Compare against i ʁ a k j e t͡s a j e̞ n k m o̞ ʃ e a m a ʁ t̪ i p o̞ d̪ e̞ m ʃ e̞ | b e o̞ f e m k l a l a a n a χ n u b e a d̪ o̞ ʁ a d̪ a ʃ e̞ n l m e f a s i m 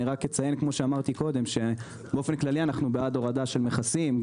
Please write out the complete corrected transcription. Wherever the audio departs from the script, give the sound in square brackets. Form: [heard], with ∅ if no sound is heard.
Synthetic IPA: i ʁ a k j e t͡s a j e̞ n k m o̞ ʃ e a m a ʁ t̪ i [k] o̞ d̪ e̞ m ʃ e̞ | b e o̞ f e [n] k l a l [i] a n a χ n u b e a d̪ o̞ ʁ a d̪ a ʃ e̞ [∅] l m e [χ] a s i m